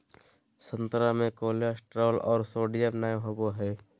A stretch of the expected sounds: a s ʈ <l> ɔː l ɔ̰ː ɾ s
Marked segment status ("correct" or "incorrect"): incorrect